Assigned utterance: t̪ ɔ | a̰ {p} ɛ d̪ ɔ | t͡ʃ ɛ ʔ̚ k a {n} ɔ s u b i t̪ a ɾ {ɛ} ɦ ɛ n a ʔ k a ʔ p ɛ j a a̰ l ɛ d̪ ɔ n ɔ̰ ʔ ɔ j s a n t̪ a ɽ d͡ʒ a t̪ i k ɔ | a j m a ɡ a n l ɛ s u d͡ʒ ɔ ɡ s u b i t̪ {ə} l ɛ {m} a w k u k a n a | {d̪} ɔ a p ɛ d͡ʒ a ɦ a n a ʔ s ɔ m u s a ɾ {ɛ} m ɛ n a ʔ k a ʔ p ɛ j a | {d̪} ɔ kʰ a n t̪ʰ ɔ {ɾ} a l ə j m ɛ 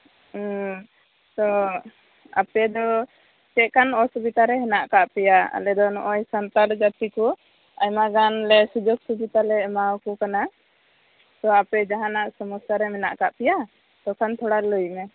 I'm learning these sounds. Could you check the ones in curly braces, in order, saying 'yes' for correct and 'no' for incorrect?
yes, yes, yes, no, yes, no, yes, no, no

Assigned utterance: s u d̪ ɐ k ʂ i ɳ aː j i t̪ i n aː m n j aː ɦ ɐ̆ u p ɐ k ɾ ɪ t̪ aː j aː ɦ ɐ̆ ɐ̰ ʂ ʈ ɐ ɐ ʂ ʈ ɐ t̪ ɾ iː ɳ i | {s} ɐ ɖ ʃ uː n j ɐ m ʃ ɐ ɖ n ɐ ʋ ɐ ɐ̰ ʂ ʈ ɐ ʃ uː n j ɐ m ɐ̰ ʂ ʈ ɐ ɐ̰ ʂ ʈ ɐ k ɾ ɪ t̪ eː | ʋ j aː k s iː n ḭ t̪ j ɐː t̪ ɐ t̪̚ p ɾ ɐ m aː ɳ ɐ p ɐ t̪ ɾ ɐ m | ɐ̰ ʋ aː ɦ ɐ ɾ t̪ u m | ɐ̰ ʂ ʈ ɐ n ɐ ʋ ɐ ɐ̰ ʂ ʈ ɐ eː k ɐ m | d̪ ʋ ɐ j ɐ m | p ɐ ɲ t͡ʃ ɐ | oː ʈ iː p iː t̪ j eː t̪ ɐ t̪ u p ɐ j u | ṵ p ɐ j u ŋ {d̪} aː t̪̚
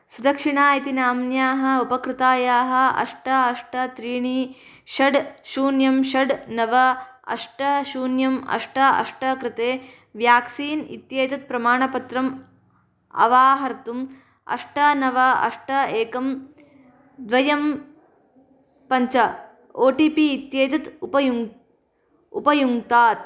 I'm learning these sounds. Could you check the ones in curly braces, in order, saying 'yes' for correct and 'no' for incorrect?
no, no

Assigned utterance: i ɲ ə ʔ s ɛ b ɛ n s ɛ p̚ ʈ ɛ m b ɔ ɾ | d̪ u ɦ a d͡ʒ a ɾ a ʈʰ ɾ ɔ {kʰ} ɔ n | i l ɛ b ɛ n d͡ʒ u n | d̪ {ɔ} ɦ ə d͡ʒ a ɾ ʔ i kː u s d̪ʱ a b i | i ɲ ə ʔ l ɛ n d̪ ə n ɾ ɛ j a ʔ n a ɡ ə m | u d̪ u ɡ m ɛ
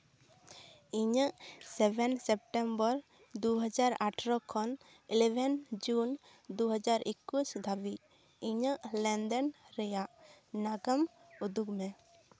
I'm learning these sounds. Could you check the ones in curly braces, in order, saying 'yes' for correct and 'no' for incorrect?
yes, no

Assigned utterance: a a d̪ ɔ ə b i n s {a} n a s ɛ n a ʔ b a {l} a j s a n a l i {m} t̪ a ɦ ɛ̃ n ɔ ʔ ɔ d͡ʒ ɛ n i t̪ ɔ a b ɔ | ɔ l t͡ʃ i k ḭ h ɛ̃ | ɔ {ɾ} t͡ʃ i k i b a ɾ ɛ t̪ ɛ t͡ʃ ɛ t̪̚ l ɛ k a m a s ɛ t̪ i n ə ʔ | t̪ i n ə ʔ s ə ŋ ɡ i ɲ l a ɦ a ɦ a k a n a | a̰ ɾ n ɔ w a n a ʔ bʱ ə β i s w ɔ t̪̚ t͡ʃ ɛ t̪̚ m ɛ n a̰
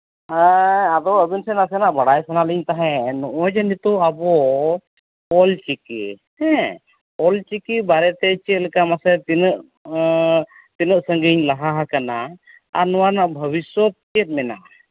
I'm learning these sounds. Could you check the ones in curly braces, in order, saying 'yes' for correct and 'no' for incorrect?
no, no, no, no

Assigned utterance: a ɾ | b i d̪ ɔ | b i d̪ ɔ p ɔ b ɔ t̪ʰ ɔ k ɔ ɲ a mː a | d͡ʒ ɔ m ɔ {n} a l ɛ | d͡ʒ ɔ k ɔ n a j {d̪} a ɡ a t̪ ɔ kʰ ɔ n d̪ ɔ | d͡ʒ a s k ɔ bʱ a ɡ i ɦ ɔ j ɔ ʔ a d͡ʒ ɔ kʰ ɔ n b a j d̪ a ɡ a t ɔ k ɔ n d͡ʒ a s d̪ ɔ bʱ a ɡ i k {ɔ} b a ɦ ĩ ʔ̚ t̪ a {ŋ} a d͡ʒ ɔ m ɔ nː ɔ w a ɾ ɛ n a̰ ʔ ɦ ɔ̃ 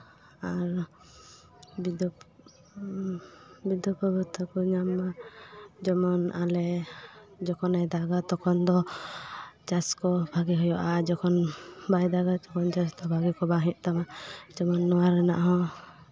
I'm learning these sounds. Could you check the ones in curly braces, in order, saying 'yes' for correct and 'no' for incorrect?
yes, yes, yes, no

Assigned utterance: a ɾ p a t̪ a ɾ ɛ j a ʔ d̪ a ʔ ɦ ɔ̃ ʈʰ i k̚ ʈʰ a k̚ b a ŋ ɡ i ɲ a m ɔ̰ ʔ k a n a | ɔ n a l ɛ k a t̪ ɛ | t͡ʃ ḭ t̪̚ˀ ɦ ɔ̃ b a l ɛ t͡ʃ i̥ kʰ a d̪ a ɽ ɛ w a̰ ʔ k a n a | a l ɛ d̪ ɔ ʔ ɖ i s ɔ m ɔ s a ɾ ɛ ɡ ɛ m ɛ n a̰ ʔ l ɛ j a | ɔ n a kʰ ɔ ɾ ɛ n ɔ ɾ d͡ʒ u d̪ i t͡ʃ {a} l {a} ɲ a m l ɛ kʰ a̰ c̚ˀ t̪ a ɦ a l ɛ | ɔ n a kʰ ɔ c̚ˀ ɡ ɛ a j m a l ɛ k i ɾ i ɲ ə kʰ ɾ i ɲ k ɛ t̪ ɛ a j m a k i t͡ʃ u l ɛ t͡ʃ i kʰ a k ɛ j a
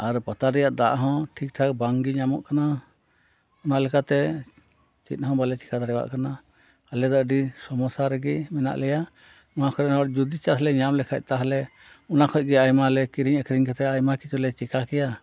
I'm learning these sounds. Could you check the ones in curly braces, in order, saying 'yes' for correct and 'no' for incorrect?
yes, no

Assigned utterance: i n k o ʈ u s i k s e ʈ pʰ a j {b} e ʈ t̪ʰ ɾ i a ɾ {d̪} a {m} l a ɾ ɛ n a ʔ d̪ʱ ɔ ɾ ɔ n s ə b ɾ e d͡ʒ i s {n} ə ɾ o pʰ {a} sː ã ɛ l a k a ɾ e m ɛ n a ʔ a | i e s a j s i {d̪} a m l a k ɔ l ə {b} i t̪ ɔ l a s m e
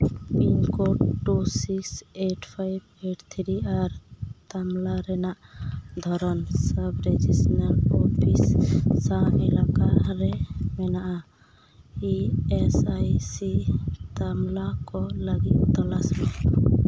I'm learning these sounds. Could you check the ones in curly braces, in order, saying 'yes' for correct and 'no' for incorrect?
yes, no, yes, yes, no, no, no

